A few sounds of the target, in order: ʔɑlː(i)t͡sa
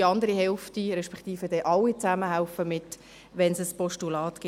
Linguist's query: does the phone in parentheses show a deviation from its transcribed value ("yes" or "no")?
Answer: no